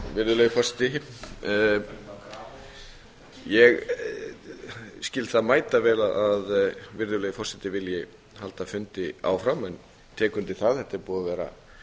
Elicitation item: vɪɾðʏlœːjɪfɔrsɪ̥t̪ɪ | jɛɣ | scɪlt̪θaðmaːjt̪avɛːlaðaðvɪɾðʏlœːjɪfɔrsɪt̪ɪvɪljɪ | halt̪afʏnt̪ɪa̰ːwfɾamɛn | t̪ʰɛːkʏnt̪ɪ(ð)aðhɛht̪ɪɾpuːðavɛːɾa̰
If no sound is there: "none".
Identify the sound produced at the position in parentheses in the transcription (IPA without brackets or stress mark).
θ